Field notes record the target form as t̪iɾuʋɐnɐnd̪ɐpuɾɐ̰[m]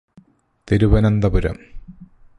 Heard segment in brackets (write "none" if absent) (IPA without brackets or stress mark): m